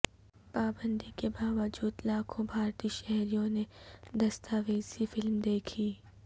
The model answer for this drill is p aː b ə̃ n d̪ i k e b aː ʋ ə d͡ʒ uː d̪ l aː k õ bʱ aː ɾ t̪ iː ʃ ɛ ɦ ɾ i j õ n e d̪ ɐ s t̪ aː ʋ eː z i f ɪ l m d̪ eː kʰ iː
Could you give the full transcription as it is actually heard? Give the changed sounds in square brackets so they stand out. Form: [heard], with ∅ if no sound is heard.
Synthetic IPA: p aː b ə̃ n d̪ i k e b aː ʋ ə d͡ʒ uː d̪ l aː [kʰ] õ bʱ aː ɾ t̪ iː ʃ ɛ ɦ ɾ i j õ n e d̪ ɐ s t̪ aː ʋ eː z i f ɪ l m d̪ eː kʰ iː